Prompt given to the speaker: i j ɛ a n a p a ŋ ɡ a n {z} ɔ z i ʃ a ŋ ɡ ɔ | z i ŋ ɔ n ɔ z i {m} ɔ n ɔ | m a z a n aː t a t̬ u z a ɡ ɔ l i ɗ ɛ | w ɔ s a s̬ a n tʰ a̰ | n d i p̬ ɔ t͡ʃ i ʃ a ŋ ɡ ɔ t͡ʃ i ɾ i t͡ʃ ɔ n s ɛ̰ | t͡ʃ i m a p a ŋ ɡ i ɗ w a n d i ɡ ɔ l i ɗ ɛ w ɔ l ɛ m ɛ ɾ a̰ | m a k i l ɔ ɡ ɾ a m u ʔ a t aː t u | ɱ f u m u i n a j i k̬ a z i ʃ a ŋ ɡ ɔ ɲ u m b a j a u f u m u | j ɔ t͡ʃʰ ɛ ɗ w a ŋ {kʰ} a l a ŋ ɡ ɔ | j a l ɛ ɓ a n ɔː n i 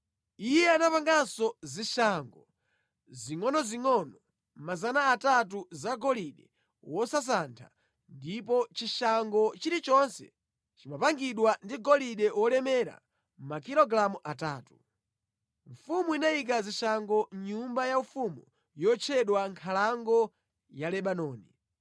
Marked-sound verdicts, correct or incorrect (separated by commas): incorrect, incorrect, correct